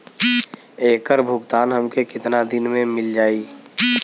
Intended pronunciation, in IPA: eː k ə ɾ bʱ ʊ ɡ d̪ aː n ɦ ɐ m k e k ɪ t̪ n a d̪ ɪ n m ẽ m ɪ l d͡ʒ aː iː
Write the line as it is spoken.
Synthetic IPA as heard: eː k ə ɾ bʱ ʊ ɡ t̪ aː n ɦ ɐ m k e k ɪ t̪ n a d̪ ɪ n m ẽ m ɪ l d͡ʒ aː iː